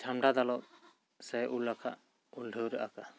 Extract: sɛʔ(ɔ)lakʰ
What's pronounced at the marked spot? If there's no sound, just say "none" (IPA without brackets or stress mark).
u